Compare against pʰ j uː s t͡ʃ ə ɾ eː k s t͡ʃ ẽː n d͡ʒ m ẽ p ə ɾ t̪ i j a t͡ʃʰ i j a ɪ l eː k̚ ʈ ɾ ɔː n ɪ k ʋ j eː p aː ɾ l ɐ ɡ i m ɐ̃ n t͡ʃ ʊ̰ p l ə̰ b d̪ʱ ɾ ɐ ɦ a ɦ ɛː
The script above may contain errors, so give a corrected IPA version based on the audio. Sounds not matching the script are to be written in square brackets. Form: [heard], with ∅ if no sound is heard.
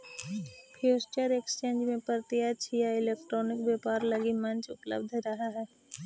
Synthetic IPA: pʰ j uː s t͡ʃ ə ɾ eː k s t͡ʃ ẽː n d͡ʒ m ẽ p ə ɾ t̪ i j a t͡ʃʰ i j a ɪ l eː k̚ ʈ ɾ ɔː n ɪ k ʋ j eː p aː ɾ l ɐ ɡ i m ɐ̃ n t͡ʃ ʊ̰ p l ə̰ b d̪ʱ ɾ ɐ ɦ a ɦ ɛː